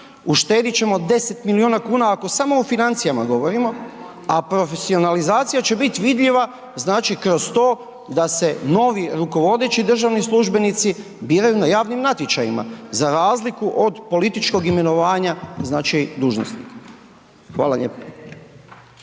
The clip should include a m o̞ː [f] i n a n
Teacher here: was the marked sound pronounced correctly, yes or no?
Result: yes